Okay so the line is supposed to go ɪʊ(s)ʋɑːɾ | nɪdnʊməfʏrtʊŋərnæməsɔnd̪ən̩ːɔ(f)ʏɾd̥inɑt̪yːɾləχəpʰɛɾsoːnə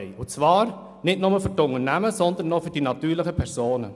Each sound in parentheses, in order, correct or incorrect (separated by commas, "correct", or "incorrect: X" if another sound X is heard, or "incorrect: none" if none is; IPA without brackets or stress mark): incorrect: t͡s, correct